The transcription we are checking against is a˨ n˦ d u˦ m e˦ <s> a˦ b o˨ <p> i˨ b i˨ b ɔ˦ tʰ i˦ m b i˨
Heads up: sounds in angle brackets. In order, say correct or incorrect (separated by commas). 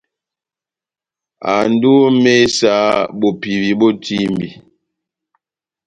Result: correct, correct